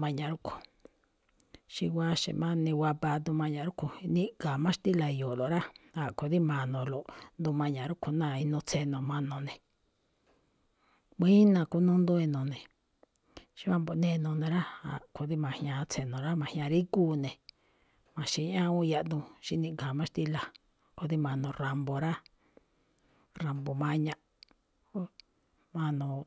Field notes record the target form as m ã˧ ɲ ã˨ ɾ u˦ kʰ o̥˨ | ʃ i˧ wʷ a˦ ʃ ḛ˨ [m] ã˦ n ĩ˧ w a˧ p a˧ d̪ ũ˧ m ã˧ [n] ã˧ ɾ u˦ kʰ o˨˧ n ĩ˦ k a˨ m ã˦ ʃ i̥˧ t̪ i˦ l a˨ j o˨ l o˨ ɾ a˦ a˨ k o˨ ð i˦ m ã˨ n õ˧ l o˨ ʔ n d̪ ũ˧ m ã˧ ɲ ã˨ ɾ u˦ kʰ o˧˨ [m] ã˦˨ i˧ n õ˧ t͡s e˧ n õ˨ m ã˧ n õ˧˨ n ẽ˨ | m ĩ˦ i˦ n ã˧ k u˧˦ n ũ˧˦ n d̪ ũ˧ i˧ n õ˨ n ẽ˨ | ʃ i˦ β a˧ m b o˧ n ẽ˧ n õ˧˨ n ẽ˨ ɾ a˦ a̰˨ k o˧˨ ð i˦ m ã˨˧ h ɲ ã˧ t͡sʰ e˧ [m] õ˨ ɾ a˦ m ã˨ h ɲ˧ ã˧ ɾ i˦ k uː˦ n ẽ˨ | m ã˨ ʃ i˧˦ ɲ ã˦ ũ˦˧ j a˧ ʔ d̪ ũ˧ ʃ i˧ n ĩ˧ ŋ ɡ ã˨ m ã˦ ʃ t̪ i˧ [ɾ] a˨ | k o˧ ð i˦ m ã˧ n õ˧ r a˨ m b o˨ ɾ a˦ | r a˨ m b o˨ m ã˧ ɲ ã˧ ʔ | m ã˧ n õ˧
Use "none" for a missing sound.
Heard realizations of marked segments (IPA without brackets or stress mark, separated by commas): m, ɲ, n, n, l